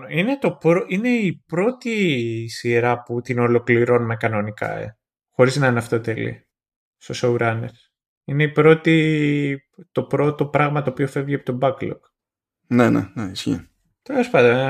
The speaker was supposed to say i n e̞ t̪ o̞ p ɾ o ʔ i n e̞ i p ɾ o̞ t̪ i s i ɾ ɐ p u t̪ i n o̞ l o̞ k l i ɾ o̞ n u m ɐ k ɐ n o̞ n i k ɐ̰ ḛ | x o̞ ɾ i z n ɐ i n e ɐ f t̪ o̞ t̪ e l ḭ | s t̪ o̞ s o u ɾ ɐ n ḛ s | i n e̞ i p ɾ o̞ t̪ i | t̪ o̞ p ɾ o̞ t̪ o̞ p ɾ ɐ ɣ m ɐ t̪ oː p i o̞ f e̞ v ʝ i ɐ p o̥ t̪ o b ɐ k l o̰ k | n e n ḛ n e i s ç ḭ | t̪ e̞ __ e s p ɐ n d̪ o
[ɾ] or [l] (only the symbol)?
l